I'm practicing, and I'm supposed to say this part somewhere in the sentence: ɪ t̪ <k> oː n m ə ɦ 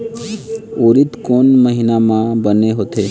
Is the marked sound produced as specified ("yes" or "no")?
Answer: yes